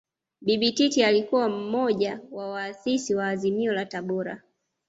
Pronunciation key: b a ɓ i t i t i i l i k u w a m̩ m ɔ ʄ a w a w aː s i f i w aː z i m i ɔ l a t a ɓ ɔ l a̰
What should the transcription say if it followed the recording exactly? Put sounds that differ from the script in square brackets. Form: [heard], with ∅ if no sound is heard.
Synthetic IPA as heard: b [i] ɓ i t i t i [a] l i k u w a m̩ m ɔ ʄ a w a w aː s i [s] i w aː z i m i ɔ l a t a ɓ ɔ [ɾ] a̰

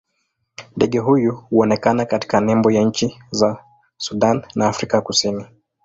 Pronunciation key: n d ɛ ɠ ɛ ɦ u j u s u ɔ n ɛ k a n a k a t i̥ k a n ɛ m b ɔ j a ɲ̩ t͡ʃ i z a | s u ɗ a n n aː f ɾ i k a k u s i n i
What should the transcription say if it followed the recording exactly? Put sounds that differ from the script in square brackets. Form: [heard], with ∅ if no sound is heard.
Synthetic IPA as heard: n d ɛ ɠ ɛ ɦ u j u [h] u ɔ n ɛ k a n a k a t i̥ k a n ɛ m b ɔ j a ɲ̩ t͡ʃ i z a | s u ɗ a n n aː f ɾ i k a k u s i n i

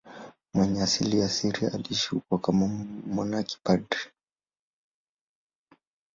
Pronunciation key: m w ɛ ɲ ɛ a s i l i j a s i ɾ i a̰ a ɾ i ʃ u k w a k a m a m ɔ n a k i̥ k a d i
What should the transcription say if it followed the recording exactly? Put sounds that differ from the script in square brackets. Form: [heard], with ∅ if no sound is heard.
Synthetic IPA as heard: m w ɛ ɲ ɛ a s i l i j a s i ɾ i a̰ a [l] i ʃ u k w a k a m a m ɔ n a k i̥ [p] a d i

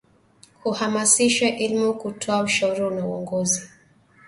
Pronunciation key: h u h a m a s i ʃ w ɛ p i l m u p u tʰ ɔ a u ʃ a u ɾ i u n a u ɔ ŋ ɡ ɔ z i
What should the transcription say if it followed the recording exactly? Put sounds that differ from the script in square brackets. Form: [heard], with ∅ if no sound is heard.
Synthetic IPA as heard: h u h a m a s i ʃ w ɛ [ʔ] i l m u [k] u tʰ ɔ a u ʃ a u ɾ i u n a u ɔ ŋ ɡ ɔ z i

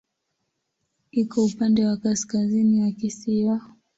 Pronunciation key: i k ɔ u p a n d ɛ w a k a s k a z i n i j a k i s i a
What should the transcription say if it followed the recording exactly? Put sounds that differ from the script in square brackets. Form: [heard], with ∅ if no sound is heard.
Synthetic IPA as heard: i k ɔ u p a n d ɛ w a k a s k a z i n i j a k i s i a

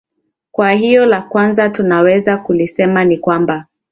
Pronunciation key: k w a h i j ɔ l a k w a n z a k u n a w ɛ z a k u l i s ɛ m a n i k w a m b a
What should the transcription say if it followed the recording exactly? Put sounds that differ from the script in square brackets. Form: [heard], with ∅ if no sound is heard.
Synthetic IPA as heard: k w a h i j ɔ l a k w a n z a [t] u n a w ɛ z a k u l i s ɛ m a n i k w a m b a

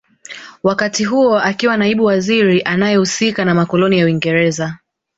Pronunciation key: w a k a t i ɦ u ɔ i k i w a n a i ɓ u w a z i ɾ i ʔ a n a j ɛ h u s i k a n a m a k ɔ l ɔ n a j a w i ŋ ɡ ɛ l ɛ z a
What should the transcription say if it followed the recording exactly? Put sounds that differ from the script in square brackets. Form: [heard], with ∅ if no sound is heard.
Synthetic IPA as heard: w a k a t i ɦ u ɔ [a] k i w a n a i ɓ u w a z i ɾ i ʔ a n a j ɛ h u s i k a n a m a k ɔ l ɔ n [i] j a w i ŋ ɡ ɛ [ɾ] ɛ z a

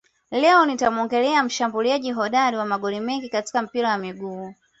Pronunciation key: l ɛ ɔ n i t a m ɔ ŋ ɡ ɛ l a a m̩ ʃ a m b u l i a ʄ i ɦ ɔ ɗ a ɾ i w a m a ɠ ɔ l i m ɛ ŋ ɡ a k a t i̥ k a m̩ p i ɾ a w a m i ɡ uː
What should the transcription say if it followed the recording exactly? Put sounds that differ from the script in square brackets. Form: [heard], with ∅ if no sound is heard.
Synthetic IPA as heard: l ɛ ɔ n i t a m ɔ ŋ ɡ ɛ l [ɛ] a m̩ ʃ a m b u l i a ʄ i ɦ ɔ ɗ a ɾ i w a m a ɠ ɔ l i m ɛ ŋ ɡ [i] k a t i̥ k a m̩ p i ɾ a w a m i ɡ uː

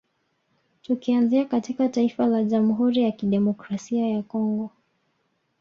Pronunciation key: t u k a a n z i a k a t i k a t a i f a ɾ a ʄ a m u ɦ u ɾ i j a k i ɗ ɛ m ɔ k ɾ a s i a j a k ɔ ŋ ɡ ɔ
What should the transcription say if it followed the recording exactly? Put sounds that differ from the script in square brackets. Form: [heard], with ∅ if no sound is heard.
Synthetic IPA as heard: t u k [i] a n z i a k a t i k a t a i f a [l] a ʄ a m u ɦ u ɾ i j a k i ɗ ɛ m ɔ k ɾ a s i a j a k ɔ ŋ ɡ ɔ

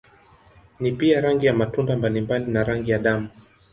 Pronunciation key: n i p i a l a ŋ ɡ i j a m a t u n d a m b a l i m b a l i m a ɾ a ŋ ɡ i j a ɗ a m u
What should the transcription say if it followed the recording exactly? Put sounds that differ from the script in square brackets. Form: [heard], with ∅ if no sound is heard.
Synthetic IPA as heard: n i p i a [ɾ] a ŋ ɡ i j a m a t u n d a m b a l i m b a l i [n] a ɾ a ŋ ɡ i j a ɗ a m u

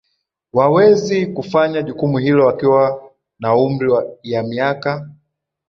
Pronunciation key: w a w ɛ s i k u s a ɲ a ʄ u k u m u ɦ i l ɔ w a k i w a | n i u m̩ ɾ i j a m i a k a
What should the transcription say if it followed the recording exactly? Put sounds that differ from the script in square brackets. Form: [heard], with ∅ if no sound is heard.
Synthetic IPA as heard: w a w ɛ [z] i k u [f] a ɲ a ʄ u k u m u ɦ i l ɔ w a k i w a | n [a] u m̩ ɾ i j a m i a k a

